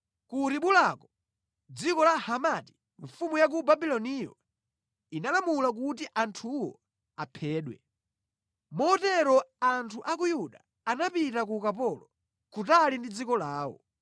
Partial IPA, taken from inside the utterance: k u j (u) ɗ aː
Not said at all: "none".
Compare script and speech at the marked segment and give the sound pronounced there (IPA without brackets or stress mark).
u